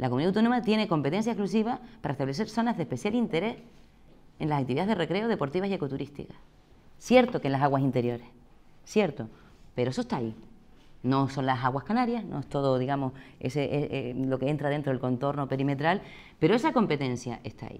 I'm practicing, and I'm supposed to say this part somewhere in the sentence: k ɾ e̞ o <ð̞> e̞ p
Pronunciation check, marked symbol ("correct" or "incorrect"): correct